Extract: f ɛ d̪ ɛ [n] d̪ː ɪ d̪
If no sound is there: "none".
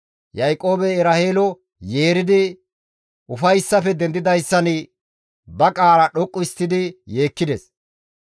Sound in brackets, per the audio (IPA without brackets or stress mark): n